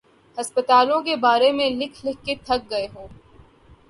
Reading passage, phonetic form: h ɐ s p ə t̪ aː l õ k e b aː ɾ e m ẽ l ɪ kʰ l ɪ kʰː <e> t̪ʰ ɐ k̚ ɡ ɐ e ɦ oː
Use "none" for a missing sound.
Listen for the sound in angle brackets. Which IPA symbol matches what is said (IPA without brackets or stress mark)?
e